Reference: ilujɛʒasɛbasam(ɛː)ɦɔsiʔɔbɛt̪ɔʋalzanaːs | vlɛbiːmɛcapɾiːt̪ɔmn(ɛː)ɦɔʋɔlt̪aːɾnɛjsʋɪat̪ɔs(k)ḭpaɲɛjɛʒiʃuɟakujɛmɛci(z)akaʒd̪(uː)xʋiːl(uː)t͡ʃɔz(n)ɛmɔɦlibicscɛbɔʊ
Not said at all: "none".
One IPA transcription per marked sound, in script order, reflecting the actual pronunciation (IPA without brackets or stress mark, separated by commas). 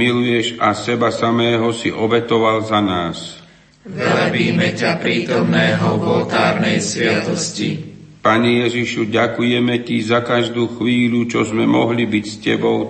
ɛː, ɛː, c, z, uː, u, m